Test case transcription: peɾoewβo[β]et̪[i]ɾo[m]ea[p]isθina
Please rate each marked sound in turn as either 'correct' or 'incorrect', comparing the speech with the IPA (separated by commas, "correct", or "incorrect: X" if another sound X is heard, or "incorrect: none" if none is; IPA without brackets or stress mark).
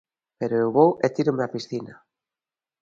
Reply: incorrect: w, correct, correct, correct